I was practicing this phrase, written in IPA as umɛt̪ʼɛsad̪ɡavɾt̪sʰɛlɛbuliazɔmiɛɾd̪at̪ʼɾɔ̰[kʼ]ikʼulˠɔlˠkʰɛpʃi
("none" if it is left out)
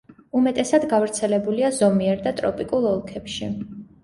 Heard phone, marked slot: pʼ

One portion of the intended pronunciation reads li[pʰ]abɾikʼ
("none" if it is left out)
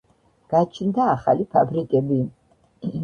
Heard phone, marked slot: pʰ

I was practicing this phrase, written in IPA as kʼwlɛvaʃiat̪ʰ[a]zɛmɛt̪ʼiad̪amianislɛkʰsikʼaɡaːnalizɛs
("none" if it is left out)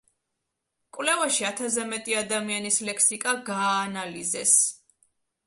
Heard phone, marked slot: a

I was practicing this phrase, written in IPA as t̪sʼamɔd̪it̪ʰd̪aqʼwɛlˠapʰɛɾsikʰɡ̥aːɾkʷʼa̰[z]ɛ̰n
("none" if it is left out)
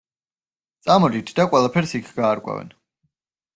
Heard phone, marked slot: v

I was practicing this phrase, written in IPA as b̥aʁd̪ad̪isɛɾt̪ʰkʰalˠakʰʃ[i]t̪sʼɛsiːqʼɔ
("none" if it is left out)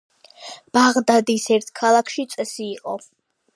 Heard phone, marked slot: i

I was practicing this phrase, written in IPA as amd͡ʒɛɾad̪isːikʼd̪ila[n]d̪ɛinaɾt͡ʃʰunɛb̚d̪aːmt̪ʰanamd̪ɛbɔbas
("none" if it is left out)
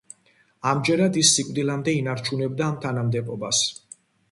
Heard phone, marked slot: m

